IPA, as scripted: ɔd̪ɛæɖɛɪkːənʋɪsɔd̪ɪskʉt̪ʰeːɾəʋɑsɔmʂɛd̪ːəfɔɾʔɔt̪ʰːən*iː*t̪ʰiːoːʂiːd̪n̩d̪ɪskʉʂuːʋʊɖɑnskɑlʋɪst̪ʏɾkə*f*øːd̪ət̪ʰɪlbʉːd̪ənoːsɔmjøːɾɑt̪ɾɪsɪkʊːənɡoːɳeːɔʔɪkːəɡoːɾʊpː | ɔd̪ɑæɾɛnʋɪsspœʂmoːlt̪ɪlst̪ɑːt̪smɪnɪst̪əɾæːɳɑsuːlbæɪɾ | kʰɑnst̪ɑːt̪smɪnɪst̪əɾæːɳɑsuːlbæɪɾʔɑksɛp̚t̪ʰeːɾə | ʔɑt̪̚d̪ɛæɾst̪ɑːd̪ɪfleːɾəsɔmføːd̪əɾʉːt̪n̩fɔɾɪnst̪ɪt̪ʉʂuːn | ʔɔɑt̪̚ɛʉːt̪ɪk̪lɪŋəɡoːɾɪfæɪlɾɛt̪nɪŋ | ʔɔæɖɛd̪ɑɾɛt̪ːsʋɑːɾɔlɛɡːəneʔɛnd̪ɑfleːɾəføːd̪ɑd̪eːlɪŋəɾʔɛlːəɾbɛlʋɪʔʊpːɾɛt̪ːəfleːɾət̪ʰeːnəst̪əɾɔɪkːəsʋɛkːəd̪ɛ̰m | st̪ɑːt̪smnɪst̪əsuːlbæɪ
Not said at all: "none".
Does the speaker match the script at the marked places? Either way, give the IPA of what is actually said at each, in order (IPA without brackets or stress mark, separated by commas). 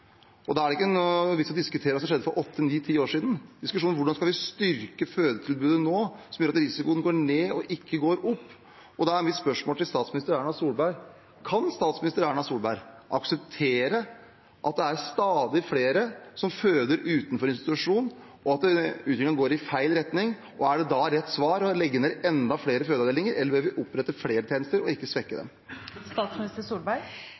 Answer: iː, f